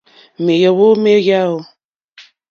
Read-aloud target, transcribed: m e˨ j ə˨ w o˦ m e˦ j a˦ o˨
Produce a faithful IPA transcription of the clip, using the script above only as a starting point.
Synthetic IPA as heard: m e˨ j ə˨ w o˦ m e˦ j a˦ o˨